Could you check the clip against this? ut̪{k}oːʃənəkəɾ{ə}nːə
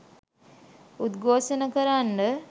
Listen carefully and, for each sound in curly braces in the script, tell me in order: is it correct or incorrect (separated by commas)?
incorrect, incorrect